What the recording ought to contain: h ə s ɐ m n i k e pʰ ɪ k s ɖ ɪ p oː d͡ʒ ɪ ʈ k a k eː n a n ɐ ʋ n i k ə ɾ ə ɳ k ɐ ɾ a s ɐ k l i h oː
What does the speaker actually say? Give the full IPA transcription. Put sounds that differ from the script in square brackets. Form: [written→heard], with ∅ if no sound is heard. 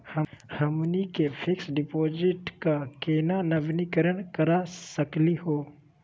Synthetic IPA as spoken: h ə [s→h] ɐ m n i k e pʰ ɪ k s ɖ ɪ p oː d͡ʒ ɪ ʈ k a k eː n a n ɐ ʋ n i k ə ɾ ə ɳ k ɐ ɾ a s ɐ k l i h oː